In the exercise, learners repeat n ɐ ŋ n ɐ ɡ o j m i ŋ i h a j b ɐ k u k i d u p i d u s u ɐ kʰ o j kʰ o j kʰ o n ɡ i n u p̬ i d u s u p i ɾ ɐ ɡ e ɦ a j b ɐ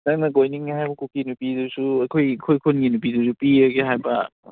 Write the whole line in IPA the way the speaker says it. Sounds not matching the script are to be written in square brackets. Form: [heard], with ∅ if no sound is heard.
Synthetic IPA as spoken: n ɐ ŋ n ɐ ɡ o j [n] i ŋ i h a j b ɐ k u k i [n] u p i d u s u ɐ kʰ o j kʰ o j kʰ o n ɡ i n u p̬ i d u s u p i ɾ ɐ ɡ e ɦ a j b ɐ